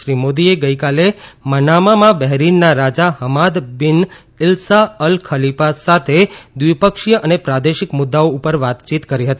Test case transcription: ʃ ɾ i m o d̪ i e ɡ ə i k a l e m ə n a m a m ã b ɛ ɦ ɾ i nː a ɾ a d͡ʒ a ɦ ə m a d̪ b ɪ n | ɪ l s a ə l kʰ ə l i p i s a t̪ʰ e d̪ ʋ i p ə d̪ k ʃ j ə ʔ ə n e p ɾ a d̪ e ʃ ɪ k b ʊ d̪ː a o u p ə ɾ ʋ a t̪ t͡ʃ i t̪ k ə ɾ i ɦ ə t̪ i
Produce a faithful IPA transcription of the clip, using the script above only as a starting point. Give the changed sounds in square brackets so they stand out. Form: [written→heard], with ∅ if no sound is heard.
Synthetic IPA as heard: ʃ ɾ i m o d̪ i e ɡ ə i k a l e m ə n a m a m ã b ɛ ɦ ɾ i nː a ɾ a d͡ʒ a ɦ ə m a d̪ b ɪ n | ɪ l s a ə l kʰ ə l i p [i→a] s a t̪ʰ e d̪ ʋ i p ə [d̪→∅] k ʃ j ə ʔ ə n e p ɾ a d̪ e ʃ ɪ k [b→m] ʊ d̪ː a o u p ə ɾ ʋ a t̪ t͡ʃ i t̪ k ə ɾ i ɦ ə t̪ i